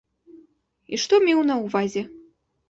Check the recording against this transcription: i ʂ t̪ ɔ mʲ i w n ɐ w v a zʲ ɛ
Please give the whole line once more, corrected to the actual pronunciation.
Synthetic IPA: i ʂ t̪ ɔ mʲ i w n ɐ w v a zʲ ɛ